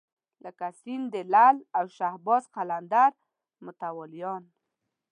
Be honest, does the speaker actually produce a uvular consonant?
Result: yes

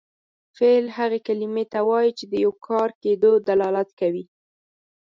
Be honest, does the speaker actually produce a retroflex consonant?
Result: no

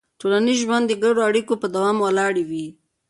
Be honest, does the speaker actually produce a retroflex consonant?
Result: yes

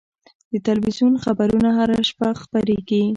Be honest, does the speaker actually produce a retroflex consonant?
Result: no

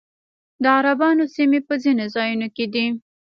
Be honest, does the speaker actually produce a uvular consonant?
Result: no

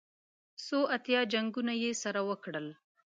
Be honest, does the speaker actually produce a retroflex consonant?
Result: yes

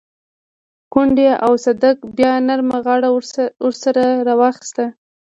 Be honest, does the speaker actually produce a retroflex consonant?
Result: yes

